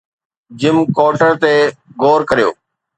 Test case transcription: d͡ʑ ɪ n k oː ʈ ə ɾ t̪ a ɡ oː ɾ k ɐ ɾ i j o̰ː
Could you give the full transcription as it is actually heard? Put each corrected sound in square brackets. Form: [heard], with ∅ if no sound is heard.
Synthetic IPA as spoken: d͡ʑ ɪ [m] k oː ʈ ə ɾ t̪ [e] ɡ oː ɾ k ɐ ɾ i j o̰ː